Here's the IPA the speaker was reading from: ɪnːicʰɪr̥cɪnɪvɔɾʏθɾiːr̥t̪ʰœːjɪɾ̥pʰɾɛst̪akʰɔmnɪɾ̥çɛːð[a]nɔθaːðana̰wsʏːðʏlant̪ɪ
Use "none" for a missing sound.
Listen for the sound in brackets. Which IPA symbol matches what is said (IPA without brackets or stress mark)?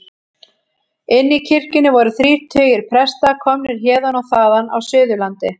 a